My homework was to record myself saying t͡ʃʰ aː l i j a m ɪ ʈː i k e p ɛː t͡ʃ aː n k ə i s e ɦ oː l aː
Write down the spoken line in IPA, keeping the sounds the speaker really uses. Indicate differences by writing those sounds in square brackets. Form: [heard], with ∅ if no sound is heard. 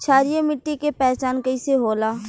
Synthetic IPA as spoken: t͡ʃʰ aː [ɾ] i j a m ɪ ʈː i k e p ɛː t͡ʃ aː n k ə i s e ɦ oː l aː